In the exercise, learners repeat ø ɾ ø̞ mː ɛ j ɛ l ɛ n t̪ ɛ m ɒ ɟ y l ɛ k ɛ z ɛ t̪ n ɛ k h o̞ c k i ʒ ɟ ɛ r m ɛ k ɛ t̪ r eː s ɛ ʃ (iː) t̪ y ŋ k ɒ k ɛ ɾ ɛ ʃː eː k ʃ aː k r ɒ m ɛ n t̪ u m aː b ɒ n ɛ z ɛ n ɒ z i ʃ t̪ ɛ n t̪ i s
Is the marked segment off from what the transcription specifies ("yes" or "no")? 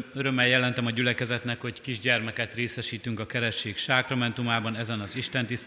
no